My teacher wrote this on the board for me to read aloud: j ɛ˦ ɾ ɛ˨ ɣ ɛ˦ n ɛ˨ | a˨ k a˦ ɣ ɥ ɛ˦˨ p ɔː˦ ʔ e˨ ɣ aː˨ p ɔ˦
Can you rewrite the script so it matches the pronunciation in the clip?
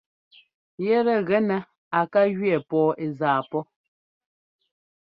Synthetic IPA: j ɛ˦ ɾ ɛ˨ ɣ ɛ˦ n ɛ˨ | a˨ k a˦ ɣ ɥ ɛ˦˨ p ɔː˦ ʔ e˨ z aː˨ p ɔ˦